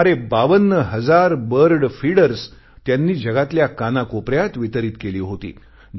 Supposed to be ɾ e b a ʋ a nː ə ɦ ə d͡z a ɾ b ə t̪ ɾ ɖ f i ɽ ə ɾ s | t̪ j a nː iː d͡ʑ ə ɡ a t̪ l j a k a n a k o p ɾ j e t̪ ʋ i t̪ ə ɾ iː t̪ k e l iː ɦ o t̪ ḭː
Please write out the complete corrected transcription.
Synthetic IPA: ɾ e b a ʋ ə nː ə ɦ ə d͡z a ɾ b ə ɾ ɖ f i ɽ ə ɾ s | t̪ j a nː iː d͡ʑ ə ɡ a t̪ l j a k a n a k o p ɾ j a t̪ ʋ i t̪ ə ɾ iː t̪ k e l iː ɦ o t̪ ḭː

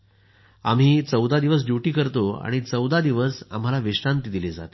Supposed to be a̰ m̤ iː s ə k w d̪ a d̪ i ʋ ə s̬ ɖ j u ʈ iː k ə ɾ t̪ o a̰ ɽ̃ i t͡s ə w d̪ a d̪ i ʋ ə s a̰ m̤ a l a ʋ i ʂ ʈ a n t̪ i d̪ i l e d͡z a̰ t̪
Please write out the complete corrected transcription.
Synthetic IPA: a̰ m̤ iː t͡s ə w d̪ a d̪ i ʋ ə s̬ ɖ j u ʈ iː k ə ɾ t̪ o a̰ ɽ̃ i t͡s ə w d̪ a d̪ i ʋ ə s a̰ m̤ a l a ʋ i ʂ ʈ a n t̪ i d̪ i l e d͡z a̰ t̪

